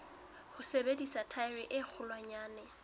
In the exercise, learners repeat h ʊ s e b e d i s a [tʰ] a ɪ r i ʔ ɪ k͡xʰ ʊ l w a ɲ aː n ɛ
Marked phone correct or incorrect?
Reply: correct